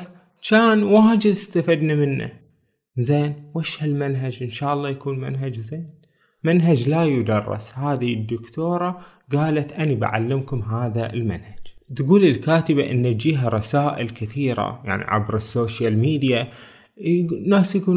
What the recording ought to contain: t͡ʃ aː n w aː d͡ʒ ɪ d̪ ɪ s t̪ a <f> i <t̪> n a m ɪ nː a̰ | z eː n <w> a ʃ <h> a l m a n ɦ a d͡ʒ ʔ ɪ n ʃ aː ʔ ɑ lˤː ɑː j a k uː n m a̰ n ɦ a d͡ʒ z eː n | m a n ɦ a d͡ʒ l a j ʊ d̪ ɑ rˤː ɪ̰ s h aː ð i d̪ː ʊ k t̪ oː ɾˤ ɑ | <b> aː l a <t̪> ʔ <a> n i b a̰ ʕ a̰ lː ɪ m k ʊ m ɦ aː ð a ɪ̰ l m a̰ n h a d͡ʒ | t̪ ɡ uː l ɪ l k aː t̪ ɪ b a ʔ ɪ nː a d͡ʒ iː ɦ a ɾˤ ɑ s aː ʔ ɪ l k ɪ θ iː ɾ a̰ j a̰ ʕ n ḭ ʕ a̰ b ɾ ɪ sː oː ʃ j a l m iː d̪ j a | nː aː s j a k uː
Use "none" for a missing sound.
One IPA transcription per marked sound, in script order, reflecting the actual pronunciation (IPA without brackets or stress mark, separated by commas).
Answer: f, d̪, w, h, ɡ, t̪, a